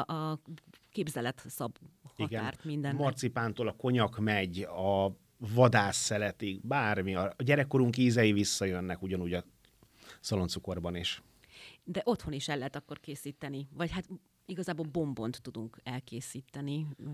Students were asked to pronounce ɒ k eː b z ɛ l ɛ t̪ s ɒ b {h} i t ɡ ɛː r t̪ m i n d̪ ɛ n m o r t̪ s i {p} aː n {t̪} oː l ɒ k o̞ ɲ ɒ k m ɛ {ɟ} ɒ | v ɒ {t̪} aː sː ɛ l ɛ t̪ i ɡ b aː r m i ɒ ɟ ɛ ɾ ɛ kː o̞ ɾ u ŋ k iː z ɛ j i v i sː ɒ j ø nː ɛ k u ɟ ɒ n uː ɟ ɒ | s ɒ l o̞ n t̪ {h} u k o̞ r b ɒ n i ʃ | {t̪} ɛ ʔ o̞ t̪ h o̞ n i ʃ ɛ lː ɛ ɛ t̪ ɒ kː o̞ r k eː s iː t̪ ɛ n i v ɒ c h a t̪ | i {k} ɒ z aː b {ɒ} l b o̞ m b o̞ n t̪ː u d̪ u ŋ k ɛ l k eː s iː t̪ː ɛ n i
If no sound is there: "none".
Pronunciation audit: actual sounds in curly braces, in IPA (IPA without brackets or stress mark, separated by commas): h, p, t̪, ɟ, d̪, s, d̪, ɡ, o